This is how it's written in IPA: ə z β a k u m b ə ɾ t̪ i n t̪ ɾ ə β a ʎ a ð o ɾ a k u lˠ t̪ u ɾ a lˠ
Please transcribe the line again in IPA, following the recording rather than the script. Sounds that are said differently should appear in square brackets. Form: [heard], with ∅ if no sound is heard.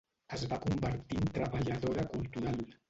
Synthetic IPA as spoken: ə z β a k u m b ə ɾ t̪ i n t̪ ɾ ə β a ʎ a ð o ɾ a k u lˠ t̪ u ɾ a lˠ